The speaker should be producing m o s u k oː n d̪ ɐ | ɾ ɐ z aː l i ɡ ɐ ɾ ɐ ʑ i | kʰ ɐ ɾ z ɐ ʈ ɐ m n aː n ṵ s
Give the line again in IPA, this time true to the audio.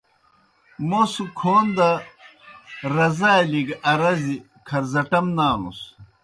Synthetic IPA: m o s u kʰ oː n d̪ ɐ | ɾ ɐ z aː l i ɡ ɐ ɾ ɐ z i | kʰ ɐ ɾ z ɐ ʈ ɐ m n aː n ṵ s